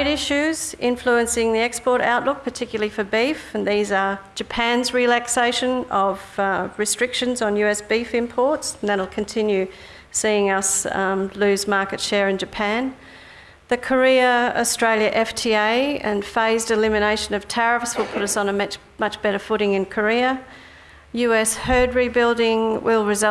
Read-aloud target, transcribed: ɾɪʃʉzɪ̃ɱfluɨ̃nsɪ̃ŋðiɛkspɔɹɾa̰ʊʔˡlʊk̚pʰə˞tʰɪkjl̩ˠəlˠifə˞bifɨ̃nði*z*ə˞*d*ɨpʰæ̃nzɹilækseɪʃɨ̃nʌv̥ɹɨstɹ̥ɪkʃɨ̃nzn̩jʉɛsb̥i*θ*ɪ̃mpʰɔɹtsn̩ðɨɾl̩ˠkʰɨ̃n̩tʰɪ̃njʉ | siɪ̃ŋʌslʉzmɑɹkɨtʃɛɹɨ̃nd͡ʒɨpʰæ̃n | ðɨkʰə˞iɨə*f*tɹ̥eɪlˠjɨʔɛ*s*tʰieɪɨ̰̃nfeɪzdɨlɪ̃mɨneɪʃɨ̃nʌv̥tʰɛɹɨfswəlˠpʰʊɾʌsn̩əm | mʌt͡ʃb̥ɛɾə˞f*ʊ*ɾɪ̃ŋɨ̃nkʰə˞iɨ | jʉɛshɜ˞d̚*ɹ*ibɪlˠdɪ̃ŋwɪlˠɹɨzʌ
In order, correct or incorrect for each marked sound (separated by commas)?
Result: correct, incorrect, incorrect, incorrect, incorrect, correct, correct